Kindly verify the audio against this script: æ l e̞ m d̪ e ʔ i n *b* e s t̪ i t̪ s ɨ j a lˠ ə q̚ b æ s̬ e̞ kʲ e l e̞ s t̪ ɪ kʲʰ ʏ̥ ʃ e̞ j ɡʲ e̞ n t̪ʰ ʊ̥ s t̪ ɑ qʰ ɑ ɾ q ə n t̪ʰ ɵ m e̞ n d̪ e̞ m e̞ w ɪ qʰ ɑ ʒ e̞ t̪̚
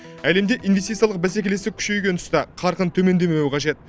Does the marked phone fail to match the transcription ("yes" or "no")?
yes